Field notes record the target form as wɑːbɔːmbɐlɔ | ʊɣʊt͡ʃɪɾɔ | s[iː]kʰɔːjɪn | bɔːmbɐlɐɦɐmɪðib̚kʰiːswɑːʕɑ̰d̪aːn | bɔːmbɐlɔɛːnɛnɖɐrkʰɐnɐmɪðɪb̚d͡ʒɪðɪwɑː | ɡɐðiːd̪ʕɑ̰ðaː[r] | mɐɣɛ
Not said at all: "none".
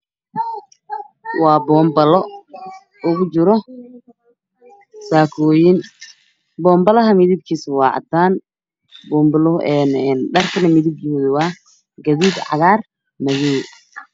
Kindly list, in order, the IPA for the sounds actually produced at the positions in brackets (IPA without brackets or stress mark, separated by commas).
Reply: aː, r